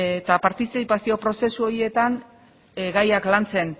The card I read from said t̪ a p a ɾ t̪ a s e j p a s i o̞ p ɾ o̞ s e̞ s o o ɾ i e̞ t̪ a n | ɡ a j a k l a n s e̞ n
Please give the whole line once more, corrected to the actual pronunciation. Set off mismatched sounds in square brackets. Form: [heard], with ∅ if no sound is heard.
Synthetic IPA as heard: t̪ a p a ɾ t̪ [i] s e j p a s i o̞ p ɾ o̞ s e̞ s [u] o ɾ i e̞ t̪ a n | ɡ a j a k l a n [t͡s] e̞ n